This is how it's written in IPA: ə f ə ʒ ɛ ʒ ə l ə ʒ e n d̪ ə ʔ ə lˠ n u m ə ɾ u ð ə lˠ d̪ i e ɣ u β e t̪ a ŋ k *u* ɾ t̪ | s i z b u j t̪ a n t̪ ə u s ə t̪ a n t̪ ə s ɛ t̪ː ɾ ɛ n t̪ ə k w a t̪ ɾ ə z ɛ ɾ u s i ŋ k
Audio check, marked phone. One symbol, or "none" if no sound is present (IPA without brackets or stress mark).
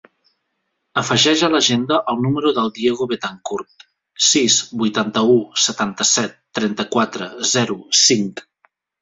u